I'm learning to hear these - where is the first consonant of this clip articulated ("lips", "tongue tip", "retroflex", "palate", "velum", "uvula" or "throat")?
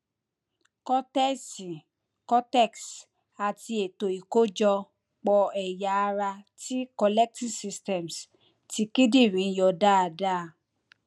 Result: velum